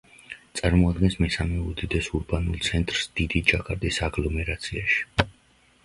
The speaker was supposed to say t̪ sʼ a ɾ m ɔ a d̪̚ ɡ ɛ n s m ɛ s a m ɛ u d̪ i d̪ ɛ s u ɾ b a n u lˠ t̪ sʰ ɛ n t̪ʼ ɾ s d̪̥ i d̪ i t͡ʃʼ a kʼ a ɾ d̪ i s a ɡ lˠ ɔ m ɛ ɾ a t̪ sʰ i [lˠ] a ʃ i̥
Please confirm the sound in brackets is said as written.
no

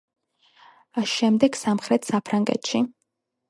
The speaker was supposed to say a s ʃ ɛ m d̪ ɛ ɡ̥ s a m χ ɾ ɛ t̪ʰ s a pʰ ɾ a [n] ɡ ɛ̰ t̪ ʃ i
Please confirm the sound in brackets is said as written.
no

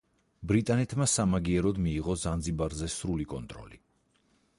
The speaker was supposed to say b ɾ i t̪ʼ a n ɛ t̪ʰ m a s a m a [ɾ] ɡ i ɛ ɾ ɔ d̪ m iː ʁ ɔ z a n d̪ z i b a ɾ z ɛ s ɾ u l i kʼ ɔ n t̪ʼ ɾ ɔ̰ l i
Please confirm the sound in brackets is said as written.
no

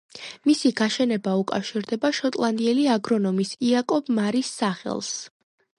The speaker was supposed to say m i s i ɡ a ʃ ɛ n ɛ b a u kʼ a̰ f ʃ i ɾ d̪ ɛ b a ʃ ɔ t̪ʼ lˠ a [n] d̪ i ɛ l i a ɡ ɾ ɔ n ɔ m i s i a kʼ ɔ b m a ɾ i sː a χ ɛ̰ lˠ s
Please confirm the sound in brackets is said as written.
yes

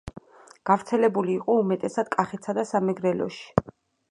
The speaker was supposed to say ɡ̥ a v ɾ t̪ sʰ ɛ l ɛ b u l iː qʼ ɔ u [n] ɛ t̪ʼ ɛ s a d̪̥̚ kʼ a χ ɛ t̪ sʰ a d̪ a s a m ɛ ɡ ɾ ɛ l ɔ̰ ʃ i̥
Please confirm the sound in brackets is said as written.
no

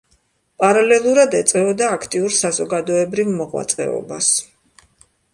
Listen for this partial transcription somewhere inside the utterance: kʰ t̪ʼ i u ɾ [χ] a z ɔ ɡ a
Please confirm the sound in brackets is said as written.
no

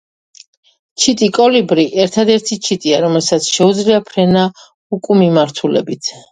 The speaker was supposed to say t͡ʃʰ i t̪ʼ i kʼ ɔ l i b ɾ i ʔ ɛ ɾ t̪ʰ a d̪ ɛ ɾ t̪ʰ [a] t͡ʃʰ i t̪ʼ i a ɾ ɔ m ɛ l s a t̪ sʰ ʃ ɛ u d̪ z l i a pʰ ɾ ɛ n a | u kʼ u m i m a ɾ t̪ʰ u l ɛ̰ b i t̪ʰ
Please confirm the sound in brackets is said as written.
no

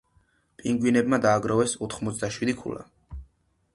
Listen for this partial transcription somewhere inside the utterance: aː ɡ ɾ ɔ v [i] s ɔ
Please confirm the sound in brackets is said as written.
no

